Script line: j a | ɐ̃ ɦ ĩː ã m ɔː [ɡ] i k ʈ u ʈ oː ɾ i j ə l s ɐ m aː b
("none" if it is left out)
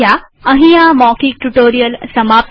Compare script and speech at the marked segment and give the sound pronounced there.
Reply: k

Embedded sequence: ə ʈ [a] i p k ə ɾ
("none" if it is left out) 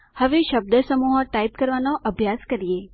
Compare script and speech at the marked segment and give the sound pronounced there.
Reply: a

